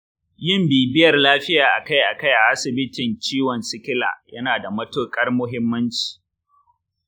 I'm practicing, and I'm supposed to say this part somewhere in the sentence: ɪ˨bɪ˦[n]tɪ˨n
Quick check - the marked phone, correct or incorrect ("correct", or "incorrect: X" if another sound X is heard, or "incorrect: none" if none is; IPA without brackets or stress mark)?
incorrect: none